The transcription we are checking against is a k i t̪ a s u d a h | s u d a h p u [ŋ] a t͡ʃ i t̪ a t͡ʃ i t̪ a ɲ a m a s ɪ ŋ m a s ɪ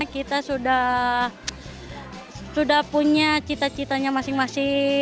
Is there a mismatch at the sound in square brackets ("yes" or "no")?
yes